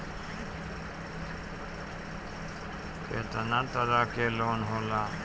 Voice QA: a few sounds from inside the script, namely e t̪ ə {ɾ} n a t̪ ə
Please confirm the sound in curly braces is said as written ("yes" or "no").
no